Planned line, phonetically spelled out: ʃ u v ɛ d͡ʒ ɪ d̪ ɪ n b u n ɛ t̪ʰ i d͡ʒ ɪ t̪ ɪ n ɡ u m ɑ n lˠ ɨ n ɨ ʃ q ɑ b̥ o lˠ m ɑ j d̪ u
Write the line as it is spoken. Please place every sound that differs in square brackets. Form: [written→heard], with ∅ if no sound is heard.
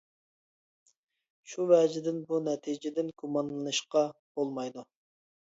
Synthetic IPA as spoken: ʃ u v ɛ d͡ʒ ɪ d̪ ɪ n b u n ɛ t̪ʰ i d͡ʒ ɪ [t̪→d̪] ɪ n ɡ u m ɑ n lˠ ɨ n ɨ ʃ q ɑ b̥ o lˠ m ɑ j d̪ u